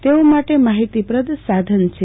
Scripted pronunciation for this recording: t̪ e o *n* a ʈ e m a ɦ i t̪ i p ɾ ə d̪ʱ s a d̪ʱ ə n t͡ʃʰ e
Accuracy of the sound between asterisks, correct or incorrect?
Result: incorrect